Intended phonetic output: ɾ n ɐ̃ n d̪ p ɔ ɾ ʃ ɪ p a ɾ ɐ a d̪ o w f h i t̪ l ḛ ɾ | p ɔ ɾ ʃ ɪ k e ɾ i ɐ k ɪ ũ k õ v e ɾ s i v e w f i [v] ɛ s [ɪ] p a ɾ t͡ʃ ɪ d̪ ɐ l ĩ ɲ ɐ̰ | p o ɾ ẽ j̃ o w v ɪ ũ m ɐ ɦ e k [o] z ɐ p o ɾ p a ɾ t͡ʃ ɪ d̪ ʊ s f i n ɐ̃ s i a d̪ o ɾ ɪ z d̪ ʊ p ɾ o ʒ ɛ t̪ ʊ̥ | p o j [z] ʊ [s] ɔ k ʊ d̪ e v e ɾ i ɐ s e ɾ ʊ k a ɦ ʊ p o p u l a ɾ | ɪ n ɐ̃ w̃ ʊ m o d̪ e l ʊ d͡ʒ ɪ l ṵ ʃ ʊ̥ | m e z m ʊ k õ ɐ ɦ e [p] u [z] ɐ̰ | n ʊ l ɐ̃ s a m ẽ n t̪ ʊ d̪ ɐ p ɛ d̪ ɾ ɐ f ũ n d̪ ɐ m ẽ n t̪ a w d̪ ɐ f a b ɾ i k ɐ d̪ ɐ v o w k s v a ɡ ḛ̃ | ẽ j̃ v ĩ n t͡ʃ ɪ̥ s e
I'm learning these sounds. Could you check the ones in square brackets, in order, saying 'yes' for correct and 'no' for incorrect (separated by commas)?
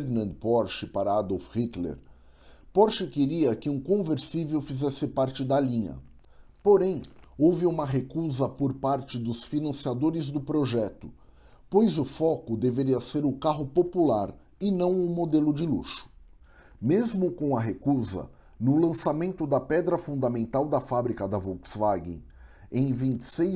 no, yes, no, yes, no, no, yes